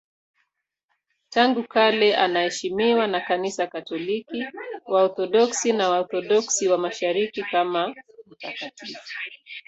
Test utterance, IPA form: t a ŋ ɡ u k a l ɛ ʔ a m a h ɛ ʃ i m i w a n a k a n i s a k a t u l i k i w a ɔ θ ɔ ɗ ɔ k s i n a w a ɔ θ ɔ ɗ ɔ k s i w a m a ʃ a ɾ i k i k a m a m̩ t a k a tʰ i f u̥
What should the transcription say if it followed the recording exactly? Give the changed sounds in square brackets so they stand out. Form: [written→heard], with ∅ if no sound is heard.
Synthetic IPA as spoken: t a ŋ ɡ u k a l ɛ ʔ a [m→n] a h ɛ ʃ i m i w a n a k a n i s a k a t [u→ɔ] l i k i w a ɔ θ ɔ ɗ ɔ k s i n a w a ɔ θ ɔ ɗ ɔ k s i w a m a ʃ a ɾ i k i k a m a m̩ t a k a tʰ i f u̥